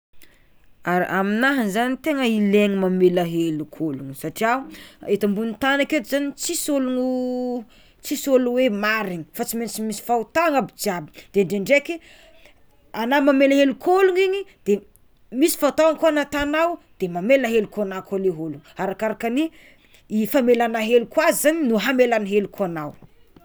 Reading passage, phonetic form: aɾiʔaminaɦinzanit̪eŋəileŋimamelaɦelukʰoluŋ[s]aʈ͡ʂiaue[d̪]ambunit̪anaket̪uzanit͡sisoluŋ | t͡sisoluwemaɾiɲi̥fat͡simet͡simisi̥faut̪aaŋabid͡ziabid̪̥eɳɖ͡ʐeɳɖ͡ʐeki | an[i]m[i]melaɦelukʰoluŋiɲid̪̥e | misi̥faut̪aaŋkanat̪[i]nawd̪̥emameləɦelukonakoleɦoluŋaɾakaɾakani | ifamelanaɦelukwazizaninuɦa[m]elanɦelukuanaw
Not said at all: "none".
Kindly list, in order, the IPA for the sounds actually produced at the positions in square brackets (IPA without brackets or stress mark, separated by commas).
s, t̪, a, a, a, m